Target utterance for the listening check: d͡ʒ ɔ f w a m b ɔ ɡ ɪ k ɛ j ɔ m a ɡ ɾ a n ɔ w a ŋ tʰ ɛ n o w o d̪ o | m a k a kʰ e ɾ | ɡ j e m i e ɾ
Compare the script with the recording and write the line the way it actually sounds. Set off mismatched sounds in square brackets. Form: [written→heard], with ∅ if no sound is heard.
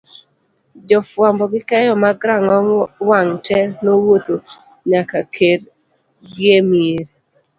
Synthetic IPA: d͡ʒ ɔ f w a m b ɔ ɡ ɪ k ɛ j ɔ m a ɡ ɾ a [n→ŋ] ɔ w a ŋ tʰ ɛ n o w o [d̪→t̪] o | [m→ɲ] a k a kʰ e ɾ | ɡ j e m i e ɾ